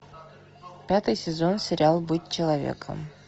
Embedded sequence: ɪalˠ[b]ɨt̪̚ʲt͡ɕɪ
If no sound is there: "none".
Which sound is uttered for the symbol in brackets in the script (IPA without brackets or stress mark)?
b